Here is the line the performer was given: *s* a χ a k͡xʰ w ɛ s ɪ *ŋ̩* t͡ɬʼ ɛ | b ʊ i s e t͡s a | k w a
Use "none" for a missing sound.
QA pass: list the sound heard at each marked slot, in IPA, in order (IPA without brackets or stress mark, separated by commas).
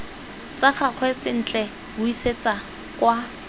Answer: t͡s, n̩